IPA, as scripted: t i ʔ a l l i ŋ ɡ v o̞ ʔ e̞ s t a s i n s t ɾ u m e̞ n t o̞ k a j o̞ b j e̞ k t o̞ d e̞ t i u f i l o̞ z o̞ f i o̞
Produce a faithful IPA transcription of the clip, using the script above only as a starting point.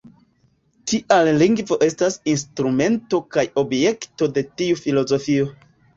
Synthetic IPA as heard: t i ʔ a l l i ŋ ɡ v o̞ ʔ e̞ s t a s i n s t ɾ u m e̞ n t o̞ k a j o̞ b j e̞ k t o̞ d e̞ t i u f i l o̞ z o̞ f i o̞